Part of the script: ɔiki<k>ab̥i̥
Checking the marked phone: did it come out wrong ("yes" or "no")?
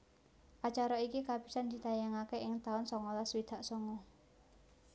no